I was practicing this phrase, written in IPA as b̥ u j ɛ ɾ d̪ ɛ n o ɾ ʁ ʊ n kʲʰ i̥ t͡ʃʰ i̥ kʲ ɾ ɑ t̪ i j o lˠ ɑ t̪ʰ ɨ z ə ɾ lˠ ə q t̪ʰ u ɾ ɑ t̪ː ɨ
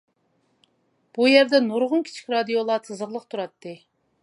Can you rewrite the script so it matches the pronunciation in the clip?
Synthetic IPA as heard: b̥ u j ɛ ɾ d̪ ɛ n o ɾ ʁ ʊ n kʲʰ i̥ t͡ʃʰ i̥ kʲ ɾ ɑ d̪ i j o lˠ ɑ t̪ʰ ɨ z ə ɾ lˠ ə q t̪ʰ u ɾ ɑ t̪ː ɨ